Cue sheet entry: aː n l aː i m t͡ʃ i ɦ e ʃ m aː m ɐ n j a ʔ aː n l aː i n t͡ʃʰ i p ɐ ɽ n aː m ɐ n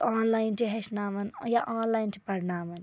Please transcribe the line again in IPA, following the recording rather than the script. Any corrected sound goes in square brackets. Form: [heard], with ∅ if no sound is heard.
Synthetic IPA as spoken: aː n l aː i [n] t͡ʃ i ɦ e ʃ [n] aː m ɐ n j a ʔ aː n l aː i n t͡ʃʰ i p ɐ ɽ n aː m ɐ n